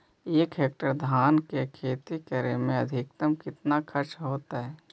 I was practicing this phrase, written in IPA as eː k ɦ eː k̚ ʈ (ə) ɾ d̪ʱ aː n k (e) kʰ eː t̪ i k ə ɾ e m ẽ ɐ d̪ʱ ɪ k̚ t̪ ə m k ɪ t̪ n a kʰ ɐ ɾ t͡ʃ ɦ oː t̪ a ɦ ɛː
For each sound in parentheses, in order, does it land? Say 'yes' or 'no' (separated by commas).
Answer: yes, yes